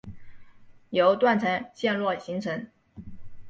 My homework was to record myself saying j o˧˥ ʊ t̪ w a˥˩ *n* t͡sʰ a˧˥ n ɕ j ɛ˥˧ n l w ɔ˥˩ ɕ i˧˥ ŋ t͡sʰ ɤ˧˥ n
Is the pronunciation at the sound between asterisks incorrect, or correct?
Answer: correct